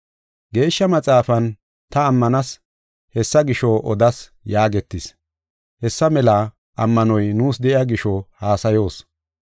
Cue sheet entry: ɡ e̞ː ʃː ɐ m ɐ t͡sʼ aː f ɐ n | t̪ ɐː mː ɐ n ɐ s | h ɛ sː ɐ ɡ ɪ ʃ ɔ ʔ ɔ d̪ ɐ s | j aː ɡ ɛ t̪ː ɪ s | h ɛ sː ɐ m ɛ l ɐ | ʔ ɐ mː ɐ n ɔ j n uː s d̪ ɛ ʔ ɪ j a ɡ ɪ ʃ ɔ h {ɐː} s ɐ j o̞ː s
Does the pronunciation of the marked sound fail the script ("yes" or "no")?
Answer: yes